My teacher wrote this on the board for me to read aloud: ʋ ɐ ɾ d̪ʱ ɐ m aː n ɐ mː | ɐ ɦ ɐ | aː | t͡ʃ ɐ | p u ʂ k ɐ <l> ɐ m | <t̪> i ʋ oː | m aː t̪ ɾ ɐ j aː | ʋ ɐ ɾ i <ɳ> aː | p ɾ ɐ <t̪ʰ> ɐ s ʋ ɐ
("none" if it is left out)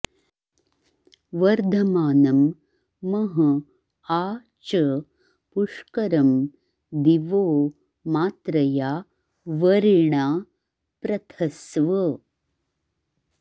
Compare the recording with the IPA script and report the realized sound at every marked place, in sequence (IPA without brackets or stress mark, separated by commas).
ɾ, d̪, ɳ, t̪ʰ